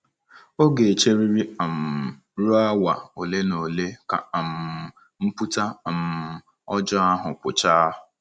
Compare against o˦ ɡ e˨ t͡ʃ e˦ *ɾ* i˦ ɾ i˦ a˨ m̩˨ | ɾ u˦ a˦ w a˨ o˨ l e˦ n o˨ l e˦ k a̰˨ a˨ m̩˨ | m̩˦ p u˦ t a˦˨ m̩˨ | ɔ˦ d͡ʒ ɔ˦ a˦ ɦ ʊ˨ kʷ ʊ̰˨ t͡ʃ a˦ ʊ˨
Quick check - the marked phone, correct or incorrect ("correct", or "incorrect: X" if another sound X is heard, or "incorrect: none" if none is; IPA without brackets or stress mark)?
correct